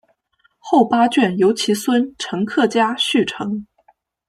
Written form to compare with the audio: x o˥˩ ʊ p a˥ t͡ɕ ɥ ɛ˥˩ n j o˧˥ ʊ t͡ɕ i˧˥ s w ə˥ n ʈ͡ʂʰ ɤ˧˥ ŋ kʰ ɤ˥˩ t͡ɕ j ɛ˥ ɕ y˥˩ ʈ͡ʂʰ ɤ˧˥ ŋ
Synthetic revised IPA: x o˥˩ ʊ p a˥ t͡ɕ ɥ ɛ˥˩ n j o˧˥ ʊ t͡ɕʰ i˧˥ s w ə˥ n ʈ͡ʂʰ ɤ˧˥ ŋ kʰ ɤ˥˩ t͡ɕ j a˥ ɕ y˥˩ ʈ͡ʂʰ ɤ˧˥ ŋ